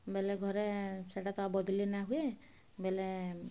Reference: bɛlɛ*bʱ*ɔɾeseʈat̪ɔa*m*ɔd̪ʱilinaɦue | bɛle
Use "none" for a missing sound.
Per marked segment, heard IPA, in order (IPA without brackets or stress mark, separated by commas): ɡʱ, b